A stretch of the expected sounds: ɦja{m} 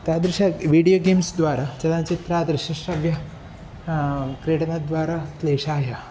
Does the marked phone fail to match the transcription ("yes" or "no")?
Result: yes